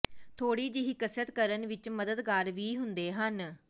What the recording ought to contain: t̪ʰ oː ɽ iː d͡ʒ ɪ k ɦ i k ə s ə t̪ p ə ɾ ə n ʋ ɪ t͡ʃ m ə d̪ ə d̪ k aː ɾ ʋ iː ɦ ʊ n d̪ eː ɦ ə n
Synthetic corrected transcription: t̪ʰ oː ɽ iː d͡ʒ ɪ ɦ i k ə s ə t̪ k ə ɾ ə n ʋ ɪ t͡ʃ m ə d̪ ə d̪ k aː ɾ ʋ iː ɦ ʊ n d̪ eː ɦ ə n